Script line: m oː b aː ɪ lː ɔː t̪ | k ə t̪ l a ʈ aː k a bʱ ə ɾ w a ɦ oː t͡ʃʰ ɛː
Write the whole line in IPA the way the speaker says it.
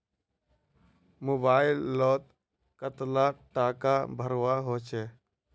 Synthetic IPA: m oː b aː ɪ lː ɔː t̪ | k ə t̪ l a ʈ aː k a bʱ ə ɾ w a ɦ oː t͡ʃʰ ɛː